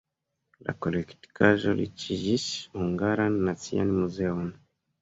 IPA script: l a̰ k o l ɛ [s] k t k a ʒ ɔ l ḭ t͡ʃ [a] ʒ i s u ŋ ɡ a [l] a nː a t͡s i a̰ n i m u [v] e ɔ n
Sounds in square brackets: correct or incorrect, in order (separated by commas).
incorrect, incorrect, incorrect, incorrect